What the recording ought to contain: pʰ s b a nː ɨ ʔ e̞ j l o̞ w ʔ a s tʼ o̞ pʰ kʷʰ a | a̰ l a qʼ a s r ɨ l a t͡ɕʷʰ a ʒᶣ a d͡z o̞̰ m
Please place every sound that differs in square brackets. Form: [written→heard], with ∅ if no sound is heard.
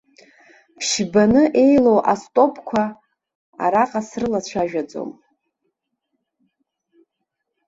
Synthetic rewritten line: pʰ [s→ʃ] b a [nː→n] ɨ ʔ e̞ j l o̞ w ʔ a s tʼ o̞ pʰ kʷʰ a | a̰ [l→ɾ] a qʼ a s r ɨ l a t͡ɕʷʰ a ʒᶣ a d͡z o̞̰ m